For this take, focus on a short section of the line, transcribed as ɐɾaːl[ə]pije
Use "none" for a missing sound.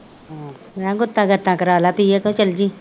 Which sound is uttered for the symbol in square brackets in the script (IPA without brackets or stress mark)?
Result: a